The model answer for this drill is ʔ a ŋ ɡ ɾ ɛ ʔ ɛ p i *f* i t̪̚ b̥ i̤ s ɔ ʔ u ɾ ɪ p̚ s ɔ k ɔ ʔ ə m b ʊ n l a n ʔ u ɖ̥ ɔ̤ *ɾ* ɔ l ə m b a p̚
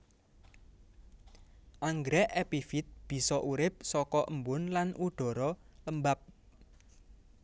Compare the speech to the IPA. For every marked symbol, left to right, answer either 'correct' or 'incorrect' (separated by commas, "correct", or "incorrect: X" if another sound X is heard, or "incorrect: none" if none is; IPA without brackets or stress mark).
correct, correct